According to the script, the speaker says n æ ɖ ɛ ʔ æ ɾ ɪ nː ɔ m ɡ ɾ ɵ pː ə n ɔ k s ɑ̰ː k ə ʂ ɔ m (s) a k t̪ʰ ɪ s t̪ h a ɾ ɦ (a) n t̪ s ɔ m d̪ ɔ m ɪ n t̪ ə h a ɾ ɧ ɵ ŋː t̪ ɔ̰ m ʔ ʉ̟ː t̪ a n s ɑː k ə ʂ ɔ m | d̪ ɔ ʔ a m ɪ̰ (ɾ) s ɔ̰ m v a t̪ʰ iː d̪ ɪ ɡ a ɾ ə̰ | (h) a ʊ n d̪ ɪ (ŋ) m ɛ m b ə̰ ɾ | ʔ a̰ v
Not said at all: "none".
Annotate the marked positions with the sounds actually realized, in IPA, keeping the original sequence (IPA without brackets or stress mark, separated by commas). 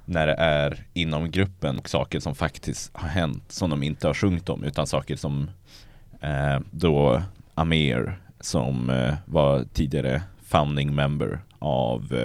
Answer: f, ɛ, ɾ, f, ŋ